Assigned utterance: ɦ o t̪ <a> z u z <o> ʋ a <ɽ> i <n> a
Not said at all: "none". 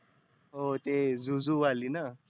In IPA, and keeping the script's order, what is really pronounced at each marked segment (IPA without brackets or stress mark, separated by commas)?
e, u, l, n